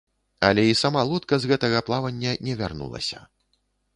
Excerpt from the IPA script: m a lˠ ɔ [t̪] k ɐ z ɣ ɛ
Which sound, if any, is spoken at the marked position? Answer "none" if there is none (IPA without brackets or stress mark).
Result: t̪